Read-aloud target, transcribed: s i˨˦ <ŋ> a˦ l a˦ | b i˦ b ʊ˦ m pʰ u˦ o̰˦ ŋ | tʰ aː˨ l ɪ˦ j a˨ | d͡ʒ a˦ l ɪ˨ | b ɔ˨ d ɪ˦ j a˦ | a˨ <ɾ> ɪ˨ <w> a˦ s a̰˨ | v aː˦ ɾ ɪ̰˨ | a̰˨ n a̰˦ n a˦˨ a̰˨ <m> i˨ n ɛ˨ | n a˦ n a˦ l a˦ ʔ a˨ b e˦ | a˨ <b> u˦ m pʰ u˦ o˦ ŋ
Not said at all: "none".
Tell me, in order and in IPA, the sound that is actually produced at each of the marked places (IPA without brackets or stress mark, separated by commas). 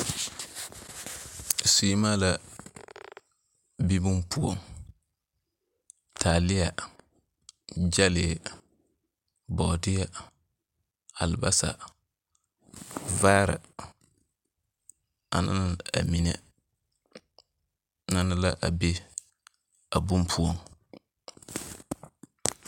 m, l, b, m, b